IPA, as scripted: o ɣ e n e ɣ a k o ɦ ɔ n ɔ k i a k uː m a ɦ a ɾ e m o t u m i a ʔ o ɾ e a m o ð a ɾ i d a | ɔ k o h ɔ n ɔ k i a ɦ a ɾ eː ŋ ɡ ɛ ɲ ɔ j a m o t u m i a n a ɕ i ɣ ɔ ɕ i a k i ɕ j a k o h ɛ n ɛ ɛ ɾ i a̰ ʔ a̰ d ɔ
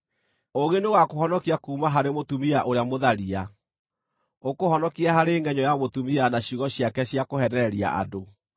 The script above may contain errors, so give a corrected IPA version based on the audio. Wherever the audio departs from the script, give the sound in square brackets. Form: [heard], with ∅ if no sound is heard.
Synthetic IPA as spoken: o ɣ e n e ɣ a k o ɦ ɔ n ɔ k i a k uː m a ɦ a ɾ e m o t u m i a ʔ o ɾ e a m o ð a ɾ i [∅] a | [o] k o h ɔ n ɔ k i a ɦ a ɾ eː ŋ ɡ ɛ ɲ ɔ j a m o t u m i a n a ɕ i ɣ ɔ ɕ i a k [ɛ] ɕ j a k o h ɛ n ɛ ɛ ɾ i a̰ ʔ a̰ d [o]